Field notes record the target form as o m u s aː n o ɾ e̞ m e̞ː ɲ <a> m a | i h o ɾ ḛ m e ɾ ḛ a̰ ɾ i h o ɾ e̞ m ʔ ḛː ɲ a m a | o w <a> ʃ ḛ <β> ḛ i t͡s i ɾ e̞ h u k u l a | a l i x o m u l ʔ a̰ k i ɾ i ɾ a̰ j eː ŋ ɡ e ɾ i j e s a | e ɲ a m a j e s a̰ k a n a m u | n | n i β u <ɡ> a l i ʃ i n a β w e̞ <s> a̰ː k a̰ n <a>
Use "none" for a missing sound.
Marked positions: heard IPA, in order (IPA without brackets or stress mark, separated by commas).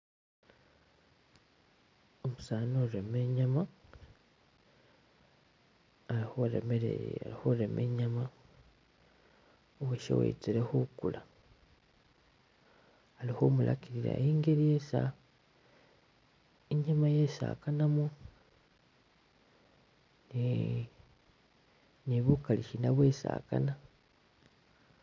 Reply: a, e, w, k, s, a